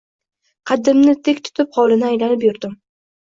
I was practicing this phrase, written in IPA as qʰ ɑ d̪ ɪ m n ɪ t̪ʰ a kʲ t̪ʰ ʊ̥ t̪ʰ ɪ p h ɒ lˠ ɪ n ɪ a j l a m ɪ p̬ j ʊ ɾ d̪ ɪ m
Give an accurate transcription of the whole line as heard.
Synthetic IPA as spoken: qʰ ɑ d̪ ɪ m n ɪ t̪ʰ e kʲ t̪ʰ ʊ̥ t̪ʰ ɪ p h ɒ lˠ ɪ n ɪ a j l a n ɪ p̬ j ʊ ɾ d̪ ɪ m

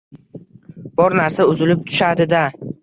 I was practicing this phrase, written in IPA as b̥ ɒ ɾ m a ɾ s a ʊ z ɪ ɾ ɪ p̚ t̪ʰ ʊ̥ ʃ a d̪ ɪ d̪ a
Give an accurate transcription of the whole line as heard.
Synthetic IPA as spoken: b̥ ɒ ɾ n a ɾ s a ʊ z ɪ l ɪ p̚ t̪ʰ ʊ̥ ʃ a d̪ ɪ d̪ a

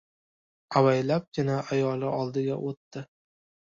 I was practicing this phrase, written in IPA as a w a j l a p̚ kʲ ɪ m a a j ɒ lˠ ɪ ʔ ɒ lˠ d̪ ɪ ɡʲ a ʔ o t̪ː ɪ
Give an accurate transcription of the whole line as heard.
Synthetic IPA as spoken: a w a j l a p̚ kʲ ɪ n a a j ɒ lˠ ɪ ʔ ɒ lˠ d̪ ɪ ɡʲ a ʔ o t̪ː ɪ

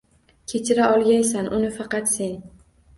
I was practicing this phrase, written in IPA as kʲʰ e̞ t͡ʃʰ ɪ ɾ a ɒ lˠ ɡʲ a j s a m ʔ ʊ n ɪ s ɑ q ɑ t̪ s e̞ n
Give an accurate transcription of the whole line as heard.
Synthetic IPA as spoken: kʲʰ e̞ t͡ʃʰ ɪ ɾ a ɒ lˠ ɡʲ a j s a n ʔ ʊ n ɪ f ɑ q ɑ t̪ s e̞ n

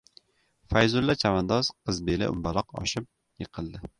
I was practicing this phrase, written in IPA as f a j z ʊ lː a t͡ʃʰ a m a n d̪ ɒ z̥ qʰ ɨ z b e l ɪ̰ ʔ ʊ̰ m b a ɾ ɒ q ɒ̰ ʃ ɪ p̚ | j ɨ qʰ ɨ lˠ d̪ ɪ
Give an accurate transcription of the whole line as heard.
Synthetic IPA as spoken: f a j z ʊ lː a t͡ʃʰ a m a n d̪ ɒ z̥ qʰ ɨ z b e l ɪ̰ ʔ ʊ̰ m b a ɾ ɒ q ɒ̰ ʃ ɪ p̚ | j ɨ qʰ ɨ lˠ d̪ ɪ

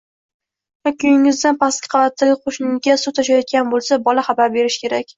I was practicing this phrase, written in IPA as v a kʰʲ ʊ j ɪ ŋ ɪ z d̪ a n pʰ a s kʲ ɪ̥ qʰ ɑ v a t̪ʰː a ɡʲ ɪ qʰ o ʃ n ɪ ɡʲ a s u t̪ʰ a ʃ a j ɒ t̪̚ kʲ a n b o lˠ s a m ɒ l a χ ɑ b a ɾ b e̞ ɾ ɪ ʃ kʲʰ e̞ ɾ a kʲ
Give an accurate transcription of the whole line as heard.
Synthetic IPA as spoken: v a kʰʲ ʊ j ɪ ŋ ɪ z d̪ a n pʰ a s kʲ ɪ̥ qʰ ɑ v a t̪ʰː a ɡʲ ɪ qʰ o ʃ n ɪ ɡʲ a s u t̪ʰ a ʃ a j ɒ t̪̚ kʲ a n b o lˠ s a b ɒ l a χ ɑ b a ɾ b e̞ ɾ ɪ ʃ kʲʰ e̞ ɾ a kʲ

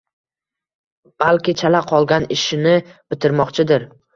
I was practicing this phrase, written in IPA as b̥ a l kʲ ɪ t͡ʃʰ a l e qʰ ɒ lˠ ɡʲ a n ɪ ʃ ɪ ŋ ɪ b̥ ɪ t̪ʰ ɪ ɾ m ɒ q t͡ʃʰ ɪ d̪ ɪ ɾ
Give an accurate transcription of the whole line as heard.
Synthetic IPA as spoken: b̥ a l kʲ ɪ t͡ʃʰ a l a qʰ ɒ lˠ ɡʲ a n ɪ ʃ ɪ n ɪ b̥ ɪ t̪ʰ ɪ ɾ m ɒ q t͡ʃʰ ɪ d̪ ɪ ɾ

